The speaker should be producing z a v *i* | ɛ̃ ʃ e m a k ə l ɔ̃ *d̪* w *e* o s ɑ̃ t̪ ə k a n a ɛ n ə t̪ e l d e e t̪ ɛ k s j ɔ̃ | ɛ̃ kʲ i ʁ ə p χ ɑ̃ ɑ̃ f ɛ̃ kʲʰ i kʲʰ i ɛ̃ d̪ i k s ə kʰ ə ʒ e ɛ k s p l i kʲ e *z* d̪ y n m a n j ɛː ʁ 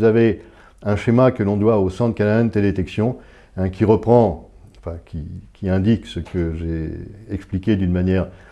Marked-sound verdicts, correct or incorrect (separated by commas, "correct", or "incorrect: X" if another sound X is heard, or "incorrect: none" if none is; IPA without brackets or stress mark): incorrect: e, correct, incorrect: a, incorrect: none